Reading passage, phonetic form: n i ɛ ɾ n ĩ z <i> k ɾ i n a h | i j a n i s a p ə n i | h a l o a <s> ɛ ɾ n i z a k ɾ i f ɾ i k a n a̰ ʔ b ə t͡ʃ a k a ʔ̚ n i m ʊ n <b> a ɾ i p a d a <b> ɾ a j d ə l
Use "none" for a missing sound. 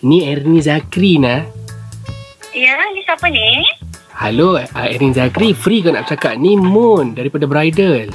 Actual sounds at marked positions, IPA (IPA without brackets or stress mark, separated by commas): a, none, d, b